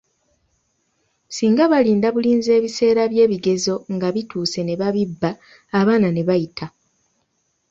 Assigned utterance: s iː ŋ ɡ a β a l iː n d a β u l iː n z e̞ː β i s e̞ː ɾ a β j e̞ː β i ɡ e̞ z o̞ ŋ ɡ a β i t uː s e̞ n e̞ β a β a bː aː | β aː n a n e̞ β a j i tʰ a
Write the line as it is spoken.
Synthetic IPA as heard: s iː ŋ ɡ a β a l iː n d a β u l iː n z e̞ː β i s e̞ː ɾ a β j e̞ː β i ɡ e̞ z o̞ ŋ ɡ a β i t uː s e̞ n e̞ β a β i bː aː | β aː n a n e̞ β a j i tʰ a